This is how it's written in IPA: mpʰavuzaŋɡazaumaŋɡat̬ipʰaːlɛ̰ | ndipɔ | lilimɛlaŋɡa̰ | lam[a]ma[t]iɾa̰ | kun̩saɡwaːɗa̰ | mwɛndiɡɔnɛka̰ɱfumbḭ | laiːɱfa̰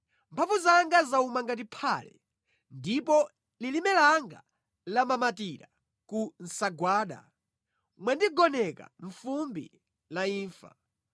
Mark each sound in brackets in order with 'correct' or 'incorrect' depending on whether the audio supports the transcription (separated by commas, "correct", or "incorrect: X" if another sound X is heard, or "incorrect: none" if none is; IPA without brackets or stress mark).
correct, correct